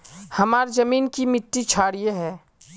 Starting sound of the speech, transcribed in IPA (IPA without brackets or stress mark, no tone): h